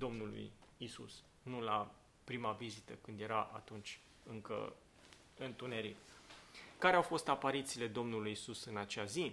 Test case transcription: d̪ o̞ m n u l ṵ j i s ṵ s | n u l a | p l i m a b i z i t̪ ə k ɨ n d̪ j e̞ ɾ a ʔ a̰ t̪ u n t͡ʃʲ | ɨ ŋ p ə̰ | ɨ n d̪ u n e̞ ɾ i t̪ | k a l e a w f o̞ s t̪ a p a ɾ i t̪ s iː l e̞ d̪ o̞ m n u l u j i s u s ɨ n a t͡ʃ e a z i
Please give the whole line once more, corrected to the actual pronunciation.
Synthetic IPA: d̪ o̞ m n u l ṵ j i s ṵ s | n u l a | p ɾ i m a v i z i t̪ ə k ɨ n d̪ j e̞ ɾ a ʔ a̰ t̪ u n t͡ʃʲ | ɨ ŋ k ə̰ | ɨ n t̪ u n e̞ ɾ i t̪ | k a ɾ e a w f o̞ s t̪ a p a ɾ i t̪ s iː l e̞ d̪ o̞ m n u l u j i s u s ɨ n a t͡ʃ e a z i